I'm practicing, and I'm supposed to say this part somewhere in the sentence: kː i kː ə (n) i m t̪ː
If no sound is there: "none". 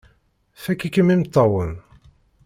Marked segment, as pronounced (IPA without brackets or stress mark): m